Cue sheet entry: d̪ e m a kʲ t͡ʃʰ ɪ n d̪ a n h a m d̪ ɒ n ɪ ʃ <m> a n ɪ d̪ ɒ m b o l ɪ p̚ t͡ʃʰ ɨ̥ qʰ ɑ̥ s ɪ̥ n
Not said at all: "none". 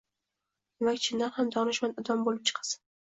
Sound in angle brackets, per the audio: m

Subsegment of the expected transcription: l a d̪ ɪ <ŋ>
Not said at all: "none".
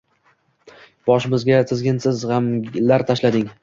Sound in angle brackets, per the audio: ŋ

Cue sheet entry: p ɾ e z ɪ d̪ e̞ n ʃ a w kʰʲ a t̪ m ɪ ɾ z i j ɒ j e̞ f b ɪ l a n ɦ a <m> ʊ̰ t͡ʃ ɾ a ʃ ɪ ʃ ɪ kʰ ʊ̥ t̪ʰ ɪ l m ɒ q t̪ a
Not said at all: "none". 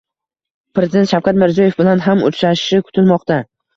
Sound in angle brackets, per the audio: m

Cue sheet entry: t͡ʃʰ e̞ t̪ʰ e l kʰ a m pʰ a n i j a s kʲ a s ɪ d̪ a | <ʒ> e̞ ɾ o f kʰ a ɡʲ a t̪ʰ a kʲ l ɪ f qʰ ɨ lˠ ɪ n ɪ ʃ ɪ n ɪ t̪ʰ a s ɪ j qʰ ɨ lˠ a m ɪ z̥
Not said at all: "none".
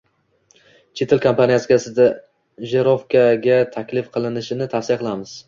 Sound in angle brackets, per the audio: ʒ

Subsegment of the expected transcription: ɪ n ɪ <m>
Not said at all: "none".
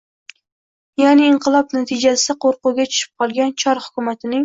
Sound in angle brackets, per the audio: ŋ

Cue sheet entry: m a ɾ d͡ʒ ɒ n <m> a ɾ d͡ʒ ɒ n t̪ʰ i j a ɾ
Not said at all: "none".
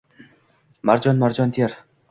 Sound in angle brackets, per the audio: m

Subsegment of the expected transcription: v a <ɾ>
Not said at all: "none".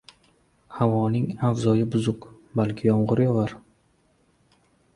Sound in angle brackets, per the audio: ɾ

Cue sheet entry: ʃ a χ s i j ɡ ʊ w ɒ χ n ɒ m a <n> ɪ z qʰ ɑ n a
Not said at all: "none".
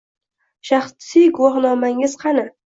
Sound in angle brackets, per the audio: ŋ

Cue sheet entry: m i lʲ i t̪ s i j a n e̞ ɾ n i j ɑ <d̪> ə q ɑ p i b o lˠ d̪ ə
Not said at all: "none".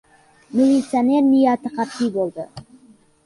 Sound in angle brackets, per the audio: t̪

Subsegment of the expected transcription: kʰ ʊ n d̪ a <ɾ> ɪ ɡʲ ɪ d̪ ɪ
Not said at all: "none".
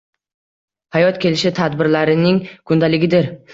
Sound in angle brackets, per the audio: l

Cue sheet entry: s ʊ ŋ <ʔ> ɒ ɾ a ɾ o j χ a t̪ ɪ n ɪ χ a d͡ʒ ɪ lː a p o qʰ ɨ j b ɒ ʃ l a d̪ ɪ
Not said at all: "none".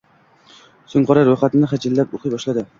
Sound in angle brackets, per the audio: q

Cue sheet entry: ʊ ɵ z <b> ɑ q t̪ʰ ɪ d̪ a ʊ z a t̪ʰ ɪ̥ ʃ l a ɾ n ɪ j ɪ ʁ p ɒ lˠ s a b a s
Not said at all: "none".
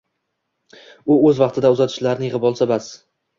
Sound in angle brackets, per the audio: v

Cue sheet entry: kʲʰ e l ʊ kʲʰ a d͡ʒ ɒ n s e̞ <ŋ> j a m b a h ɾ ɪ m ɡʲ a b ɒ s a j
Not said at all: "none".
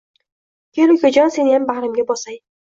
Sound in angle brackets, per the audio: n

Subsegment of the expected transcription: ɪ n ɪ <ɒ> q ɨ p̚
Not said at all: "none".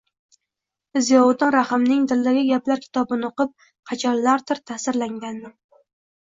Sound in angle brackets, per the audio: o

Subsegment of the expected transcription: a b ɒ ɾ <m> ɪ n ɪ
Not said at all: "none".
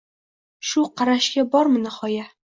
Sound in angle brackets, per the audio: m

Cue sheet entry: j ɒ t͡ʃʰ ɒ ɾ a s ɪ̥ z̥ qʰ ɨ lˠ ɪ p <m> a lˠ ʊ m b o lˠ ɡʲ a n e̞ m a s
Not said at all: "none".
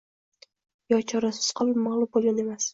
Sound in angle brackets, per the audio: m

